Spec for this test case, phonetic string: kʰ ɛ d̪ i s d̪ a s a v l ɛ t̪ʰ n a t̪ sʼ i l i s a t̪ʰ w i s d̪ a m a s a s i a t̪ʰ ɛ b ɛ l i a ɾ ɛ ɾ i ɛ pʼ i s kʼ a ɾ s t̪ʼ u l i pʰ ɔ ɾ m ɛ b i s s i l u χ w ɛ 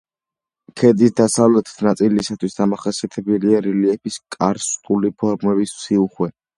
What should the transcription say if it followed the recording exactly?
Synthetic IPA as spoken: kʰ ɛ d̪ i s d̪ a s a v l ɛ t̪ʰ n a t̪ sʼ i l i s a t̪ʰ w i s d̪ a m a χ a s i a t̪ʰ ɛ b ɛ l i a ɾ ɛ l i ɛ p i s kʼ a ɾ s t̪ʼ u l i pʰ ɔ ɾ m ɛ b i s s i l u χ w ɛ